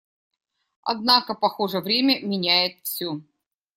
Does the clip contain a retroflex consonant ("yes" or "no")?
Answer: yes